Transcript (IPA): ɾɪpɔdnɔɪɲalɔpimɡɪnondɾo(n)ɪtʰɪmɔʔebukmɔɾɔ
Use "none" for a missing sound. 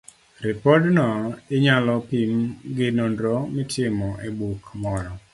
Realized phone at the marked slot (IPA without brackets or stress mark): m